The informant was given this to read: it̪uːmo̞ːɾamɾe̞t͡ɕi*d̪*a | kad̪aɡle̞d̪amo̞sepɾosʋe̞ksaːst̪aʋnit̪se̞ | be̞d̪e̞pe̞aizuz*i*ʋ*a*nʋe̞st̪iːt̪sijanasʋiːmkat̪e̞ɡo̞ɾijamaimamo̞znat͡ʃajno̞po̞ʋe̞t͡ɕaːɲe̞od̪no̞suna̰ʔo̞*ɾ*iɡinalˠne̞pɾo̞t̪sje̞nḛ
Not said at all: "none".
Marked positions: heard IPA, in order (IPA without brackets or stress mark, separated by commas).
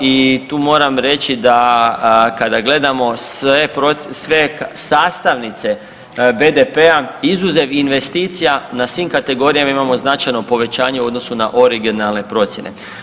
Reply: d̪, e, i, ɾ